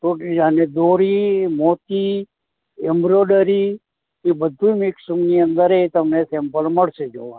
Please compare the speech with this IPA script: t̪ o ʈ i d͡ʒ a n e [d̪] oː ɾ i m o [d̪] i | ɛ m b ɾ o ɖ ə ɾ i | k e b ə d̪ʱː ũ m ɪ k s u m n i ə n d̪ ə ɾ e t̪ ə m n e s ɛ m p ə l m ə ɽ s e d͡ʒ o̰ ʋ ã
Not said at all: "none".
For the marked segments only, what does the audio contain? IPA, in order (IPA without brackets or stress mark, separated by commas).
d̪, t̪